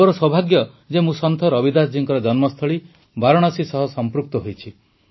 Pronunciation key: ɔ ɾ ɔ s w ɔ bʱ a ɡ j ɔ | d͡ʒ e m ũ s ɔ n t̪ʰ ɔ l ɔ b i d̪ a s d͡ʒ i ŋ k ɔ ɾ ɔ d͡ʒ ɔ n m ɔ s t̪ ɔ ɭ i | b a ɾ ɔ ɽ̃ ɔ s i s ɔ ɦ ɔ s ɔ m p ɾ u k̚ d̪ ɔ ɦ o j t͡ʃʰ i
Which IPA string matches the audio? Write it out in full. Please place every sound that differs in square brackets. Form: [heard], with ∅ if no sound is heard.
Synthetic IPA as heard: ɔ ɾ ɔ s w ɔ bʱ a ɡ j ɔ | d͡ʒ e m ũ s ɔ n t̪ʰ ɔ [ɾ] ɔ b i d̪ a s d͡ʒ i ŋ k ɔ ɾ ɔ d͡ʒ ɔ n m ɔ s [t̪ʰ] ɔ ɭ i | b a ɾ ɔ ɽ̃ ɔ s i s ɔ ɦ ɔ s ɔ m p ɾ u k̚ [t̪] ɔ ɦ o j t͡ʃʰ i